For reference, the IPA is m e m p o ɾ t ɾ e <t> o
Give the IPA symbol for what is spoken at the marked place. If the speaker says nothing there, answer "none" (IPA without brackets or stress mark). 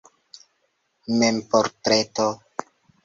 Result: t